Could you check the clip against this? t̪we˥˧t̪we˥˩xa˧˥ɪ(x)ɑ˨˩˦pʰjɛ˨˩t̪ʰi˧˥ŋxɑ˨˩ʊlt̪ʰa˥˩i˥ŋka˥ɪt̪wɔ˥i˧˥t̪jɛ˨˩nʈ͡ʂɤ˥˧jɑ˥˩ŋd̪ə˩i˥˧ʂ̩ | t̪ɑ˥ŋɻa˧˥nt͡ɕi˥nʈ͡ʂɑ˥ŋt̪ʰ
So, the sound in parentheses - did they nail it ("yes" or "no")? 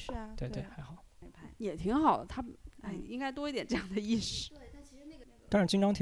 yes